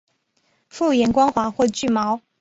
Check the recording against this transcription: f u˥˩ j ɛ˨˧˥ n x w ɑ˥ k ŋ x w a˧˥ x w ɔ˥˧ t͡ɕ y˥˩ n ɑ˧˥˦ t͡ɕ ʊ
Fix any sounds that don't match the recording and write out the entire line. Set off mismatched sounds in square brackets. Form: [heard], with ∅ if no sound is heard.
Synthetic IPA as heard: f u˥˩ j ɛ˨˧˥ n [k] w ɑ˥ [∅] ŋ x w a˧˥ x w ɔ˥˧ t͡ɕ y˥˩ [m] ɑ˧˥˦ [∅] ʊ